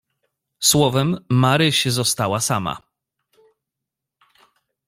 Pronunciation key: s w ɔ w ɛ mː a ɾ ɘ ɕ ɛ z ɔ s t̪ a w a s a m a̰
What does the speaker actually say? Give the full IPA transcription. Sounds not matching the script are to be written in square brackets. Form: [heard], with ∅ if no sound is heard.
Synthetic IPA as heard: s w ɔ [v] ɛ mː a ɾ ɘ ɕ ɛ z ɔ s t̪ a w a s a m a̰